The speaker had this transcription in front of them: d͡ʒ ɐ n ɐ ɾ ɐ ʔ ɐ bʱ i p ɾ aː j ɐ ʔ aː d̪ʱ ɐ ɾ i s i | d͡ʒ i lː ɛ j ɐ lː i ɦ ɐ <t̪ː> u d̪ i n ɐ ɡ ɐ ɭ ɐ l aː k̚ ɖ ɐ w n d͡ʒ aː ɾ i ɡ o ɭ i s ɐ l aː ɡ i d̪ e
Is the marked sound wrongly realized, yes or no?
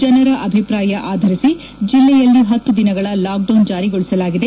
no